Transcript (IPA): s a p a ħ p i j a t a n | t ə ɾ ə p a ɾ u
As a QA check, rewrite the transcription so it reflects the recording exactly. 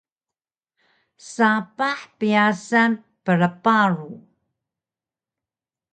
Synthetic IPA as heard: s a p a ħ p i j a s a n | p ə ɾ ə p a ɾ u

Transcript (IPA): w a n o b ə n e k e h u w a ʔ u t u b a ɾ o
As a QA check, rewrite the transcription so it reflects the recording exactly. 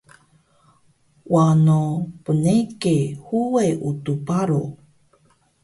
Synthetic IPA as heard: w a n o p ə n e k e h u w e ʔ u t u p a ɾ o

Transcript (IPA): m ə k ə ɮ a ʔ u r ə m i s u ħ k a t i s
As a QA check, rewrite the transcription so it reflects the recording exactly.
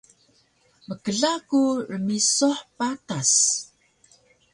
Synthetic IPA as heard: m ə k ə ɮ a k u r ə m i s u ħ p a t a s

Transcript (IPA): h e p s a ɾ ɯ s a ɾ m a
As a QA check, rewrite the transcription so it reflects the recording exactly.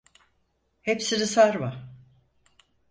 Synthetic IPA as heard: h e p s i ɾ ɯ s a ɾ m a

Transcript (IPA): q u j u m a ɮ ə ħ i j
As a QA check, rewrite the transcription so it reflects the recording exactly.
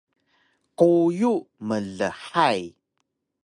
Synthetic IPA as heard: q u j u m ə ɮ ə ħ a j

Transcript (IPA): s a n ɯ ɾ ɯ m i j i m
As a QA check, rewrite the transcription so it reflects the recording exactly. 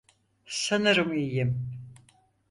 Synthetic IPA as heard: s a n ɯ ɾ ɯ m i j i m

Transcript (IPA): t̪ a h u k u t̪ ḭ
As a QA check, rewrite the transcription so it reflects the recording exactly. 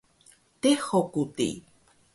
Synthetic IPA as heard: t̪ e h o k u t̪ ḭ

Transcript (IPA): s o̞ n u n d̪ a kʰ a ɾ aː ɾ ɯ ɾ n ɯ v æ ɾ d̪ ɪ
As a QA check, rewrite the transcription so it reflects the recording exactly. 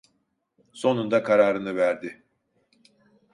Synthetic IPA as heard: s o̞ n u n d̪ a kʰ a ɾ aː ɾ ɯ n ɯ v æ ɾ d̪ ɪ

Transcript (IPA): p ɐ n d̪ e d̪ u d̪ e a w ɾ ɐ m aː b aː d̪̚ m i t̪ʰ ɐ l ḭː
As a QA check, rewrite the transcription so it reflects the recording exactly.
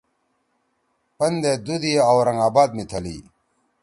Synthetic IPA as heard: p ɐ n d̪ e d̪ u d̪ i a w ɾ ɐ ŋ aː b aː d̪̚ m i t̪ʰ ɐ l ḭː

